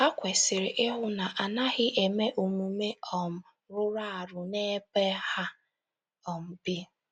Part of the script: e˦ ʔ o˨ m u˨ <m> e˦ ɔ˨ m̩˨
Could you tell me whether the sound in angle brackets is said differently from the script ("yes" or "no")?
no